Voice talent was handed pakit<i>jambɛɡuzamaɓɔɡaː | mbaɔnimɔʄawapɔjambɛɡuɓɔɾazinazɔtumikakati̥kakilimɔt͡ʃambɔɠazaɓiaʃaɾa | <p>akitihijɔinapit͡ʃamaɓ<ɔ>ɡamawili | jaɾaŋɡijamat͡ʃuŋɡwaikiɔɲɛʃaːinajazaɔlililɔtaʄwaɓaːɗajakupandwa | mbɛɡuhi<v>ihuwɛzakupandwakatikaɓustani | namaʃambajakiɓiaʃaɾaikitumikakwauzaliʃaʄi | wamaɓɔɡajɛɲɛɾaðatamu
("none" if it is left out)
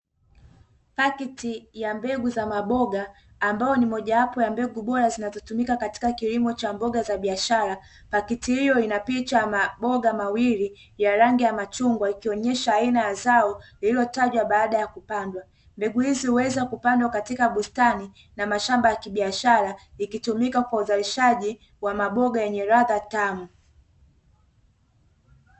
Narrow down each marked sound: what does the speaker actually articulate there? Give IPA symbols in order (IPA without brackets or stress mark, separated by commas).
i, p, ɔ, z